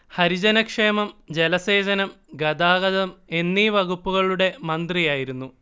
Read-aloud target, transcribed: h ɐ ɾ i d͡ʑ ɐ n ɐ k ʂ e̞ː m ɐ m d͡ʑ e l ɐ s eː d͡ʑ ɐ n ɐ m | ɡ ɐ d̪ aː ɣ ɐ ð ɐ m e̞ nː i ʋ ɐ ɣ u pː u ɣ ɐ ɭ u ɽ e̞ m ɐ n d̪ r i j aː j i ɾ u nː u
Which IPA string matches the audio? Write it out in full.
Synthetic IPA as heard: h ɐ ɾ i d͡ʑ ɐ n ɐ k ʂ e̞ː m ɐ m d͡ʑ e l ɐ s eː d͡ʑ ɐ n ɐ m | ɡ ɐ d̪ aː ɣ ɐ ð ɐ m e̞ nː i ʋ ɐ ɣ u pː u ɣ ɐ ɭ u ɽ e̞ m ɐ n d̪ r i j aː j i ɾ u nː u